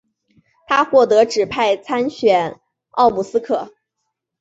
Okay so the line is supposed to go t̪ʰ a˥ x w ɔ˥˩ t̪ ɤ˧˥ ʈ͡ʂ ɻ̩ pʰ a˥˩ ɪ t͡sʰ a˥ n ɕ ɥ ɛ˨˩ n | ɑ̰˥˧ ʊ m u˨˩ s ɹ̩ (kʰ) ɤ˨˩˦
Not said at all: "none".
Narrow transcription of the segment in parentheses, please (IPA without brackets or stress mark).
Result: kʰ